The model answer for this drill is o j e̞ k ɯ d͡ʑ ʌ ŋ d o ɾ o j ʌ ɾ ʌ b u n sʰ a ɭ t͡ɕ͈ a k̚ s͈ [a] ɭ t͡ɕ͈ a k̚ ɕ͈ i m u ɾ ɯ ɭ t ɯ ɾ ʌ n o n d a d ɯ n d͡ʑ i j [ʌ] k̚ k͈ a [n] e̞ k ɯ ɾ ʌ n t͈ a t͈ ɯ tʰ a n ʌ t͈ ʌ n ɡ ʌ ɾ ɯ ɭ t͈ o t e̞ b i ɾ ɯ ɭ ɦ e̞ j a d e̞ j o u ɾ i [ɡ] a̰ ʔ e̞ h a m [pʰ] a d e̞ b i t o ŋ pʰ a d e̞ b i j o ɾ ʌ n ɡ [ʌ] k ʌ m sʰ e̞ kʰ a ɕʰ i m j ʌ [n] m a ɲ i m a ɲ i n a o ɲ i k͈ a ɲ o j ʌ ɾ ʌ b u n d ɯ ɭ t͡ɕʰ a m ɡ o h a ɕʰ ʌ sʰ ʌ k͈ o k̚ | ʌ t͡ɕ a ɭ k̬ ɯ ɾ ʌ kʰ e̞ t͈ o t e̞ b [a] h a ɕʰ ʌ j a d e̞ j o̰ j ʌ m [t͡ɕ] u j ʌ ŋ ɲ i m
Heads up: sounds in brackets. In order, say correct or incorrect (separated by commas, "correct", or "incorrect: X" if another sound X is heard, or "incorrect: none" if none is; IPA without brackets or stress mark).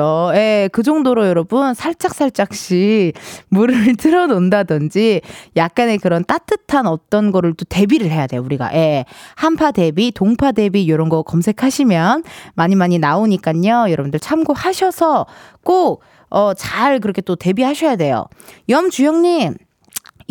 correct, incorrect: a, correct, correct, correct, correct, correct, incorrect: i, correct